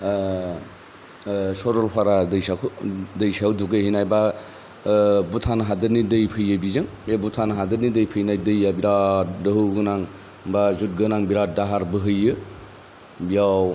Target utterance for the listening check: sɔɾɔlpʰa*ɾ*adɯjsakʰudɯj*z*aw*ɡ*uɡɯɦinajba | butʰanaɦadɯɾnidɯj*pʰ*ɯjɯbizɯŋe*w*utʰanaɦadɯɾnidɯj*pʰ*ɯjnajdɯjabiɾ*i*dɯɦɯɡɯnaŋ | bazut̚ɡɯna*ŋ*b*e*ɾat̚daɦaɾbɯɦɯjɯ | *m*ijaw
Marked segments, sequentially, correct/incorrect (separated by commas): correct, incorrect, incorrect, correct, incorrect, correct, incorrect, correct, incorrect, incorrect